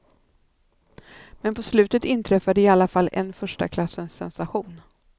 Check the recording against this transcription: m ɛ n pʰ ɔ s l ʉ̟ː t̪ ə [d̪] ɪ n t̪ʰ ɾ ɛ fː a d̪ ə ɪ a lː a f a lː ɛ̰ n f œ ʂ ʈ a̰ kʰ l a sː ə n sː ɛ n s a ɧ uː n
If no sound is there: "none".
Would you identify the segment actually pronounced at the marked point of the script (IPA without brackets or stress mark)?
t̪